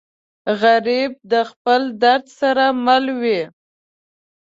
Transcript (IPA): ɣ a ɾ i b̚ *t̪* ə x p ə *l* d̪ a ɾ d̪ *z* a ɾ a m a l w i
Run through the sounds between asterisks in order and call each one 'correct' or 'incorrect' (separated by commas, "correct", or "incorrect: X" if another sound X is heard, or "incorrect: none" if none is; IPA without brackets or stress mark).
incorrect: d̪, correct, incorrect: s